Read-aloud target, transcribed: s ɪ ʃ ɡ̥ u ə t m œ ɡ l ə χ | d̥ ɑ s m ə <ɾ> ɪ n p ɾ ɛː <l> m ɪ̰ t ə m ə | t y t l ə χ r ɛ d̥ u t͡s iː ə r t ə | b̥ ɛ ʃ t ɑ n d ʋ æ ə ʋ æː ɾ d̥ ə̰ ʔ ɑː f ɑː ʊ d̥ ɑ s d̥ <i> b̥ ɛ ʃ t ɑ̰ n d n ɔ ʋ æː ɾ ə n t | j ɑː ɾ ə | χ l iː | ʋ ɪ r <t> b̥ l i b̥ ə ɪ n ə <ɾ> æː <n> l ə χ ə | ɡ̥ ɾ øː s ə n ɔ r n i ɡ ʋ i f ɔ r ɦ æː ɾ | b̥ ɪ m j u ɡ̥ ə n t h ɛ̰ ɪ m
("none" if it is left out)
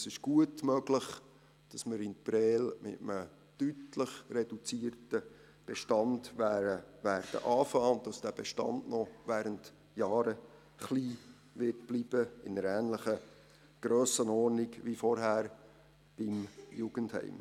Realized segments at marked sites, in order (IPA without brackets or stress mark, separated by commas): ɾ, l, æ, t, ɾ, n